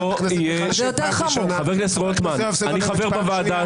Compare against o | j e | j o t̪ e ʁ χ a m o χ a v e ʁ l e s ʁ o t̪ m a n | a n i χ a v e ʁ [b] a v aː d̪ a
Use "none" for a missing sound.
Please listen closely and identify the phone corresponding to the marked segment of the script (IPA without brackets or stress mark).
b